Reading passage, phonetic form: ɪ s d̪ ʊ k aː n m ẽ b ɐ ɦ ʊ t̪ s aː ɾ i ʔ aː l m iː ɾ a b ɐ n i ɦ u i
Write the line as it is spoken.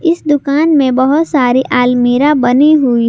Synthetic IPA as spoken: ɪ s d̪ ʊ k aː n m ẽ b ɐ ɦ ʊ t̪ s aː ɾ i ʔ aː l m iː ɾ a b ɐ n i ɦ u i